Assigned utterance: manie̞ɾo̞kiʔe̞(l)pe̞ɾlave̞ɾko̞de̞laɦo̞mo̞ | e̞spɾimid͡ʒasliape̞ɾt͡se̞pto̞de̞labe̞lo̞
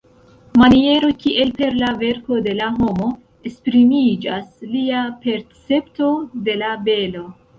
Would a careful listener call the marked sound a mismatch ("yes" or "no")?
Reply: no